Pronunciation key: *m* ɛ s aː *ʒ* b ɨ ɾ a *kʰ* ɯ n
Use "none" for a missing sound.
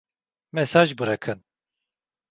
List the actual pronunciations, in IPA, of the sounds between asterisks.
m, ʒ, kʰ

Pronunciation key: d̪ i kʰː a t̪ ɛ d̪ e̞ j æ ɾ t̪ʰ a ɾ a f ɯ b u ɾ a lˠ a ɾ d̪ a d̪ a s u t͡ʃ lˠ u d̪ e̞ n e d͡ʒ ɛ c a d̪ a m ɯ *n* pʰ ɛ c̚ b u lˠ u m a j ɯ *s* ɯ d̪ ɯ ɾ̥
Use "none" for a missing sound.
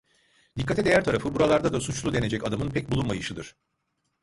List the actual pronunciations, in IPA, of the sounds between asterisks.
n, ʃ

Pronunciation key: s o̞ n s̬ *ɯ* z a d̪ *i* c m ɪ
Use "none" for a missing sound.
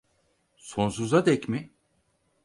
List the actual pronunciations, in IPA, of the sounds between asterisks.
u, ɛ

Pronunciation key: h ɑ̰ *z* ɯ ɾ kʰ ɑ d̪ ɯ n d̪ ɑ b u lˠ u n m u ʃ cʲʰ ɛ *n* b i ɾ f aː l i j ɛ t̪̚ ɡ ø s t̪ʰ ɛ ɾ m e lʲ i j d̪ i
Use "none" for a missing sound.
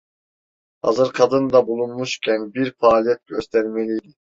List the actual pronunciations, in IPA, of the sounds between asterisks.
z, n

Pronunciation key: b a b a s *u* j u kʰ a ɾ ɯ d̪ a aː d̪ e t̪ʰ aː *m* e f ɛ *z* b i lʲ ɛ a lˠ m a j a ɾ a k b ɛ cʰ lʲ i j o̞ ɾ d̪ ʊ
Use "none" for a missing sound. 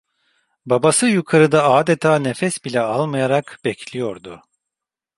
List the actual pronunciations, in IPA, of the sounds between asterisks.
ɯ, n, s

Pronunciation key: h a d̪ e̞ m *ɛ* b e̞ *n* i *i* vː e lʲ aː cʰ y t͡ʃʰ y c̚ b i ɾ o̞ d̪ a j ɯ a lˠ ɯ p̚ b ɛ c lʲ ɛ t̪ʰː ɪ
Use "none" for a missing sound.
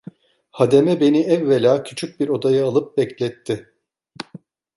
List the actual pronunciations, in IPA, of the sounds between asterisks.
ɛ, n, ɛ

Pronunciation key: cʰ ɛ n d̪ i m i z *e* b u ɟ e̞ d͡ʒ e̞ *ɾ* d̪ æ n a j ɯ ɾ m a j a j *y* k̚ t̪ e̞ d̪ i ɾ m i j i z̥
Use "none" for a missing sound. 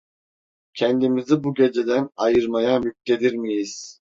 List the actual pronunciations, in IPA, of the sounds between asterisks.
i, none, y

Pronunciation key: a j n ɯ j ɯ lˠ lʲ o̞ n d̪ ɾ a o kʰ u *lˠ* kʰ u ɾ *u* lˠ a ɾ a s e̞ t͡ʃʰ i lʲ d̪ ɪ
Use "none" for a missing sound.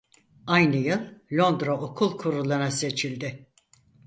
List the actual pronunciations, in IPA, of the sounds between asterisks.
lˠ, u

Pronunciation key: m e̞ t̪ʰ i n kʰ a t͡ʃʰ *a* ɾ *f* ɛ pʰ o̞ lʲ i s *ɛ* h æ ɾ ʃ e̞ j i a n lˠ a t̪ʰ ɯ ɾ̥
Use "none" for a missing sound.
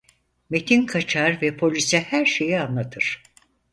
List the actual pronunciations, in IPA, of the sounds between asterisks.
a, v, ɛ

